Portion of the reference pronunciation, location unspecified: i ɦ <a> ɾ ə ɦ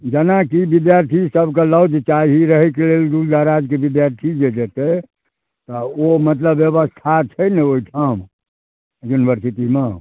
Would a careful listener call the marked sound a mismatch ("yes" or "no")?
yes